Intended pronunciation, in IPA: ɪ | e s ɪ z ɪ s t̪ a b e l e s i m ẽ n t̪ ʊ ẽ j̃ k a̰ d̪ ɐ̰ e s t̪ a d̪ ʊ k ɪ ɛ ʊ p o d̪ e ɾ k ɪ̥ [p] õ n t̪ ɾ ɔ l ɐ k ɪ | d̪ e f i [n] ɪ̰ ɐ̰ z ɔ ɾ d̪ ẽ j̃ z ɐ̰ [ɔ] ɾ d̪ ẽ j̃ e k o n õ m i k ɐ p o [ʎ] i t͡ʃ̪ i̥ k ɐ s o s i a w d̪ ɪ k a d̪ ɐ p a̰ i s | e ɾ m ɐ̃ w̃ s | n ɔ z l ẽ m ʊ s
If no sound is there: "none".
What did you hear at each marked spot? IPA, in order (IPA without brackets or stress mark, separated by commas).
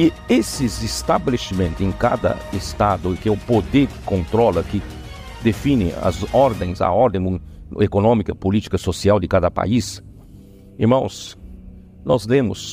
k, n, ɔ, l